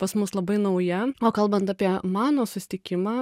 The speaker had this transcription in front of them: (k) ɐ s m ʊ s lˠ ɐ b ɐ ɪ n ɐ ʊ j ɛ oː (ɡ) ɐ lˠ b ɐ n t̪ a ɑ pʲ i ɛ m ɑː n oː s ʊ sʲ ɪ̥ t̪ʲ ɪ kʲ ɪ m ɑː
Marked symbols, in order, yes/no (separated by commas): no, no